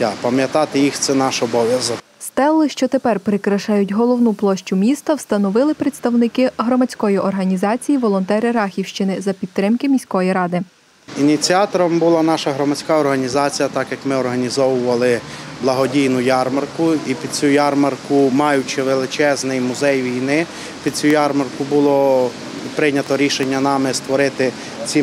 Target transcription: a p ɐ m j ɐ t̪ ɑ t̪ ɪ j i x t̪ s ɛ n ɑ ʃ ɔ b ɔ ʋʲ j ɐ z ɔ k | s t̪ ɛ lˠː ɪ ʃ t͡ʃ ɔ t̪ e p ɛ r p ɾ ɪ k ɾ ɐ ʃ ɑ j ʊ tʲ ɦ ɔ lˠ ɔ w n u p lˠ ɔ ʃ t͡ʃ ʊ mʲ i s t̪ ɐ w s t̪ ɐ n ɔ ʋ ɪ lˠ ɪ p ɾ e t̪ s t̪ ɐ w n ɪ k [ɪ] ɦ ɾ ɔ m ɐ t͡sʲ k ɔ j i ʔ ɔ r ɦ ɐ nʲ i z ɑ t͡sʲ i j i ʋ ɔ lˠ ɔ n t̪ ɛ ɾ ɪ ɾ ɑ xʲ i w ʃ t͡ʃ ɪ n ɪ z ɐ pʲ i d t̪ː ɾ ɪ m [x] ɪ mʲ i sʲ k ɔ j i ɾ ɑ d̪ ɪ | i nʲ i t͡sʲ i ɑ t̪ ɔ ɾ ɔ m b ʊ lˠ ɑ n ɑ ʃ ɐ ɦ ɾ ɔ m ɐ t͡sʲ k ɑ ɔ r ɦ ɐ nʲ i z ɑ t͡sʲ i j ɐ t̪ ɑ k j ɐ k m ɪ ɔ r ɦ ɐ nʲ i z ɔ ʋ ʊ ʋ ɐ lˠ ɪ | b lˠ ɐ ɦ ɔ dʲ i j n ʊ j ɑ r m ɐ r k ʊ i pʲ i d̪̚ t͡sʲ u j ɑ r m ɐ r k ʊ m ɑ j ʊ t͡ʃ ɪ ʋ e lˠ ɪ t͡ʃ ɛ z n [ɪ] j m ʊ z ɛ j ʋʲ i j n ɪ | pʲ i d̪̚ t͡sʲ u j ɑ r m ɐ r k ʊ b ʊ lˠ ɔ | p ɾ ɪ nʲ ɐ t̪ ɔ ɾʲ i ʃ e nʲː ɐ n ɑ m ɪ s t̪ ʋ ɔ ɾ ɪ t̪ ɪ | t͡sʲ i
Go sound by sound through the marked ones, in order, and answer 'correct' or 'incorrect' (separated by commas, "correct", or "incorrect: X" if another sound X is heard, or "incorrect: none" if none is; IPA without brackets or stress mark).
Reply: correct, incorrect: k, correct